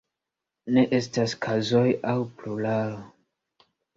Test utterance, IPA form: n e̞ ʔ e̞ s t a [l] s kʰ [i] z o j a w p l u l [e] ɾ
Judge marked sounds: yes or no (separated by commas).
no, no, no